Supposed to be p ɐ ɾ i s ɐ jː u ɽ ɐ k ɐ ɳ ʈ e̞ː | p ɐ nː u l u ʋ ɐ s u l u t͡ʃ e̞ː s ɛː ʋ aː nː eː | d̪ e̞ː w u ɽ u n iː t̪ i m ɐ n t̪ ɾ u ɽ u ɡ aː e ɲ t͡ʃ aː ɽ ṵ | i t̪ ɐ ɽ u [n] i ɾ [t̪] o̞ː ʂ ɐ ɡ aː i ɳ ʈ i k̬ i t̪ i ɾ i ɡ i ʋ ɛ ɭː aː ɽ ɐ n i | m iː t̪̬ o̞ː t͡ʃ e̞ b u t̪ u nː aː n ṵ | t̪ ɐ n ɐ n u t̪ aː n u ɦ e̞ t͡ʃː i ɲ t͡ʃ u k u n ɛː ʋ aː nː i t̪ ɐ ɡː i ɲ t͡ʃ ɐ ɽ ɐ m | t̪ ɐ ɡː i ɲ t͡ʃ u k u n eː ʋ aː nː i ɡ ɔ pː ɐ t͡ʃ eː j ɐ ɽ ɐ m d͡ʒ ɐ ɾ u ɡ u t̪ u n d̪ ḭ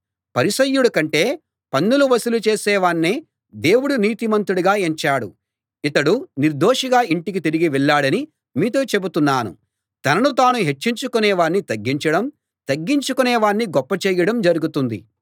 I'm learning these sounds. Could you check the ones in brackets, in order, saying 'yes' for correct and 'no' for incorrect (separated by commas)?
yes, no